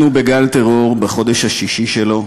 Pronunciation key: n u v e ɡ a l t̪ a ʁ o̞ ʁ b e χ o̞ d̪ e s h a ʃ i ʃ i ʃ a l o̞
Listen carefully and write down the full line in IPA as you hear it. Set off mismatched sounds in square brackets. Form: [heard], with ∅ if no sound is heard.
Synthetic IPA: n u [b] e ɡ a l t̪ [e] ʁ o̞ ʁ b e χ o̞ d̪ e [ʃ] h a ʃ i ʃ i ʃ [e] l o̞